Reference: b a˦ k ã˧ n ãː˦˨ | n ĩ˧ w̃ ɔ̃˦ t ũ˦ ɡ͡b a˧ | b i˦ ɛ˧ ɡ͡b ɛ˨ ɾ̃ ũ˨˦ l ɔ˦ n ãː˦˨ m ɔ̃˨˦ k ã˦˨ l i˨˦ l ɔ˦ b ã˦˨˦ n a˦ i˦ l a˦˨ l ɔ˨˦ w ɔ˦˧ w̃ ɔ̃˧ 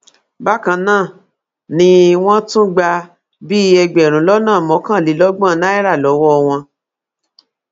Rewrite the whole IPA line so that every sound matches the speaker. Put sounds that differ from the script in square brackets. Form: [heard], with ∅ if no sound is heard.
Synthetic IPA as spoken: b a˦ k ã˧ n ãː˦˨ | n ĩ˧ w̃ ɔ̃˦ t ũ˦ ɡ͡b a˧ | b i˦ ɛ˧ ɡ͡b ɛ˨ ɾ̃ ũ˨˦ l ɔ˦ n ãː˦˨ m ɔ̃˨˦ k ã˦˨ l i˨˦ l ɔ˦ [ɡ͡b] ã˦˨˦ n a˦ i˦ [ɾ] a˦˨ l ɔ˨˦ w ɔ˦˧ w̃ ɔ̃˧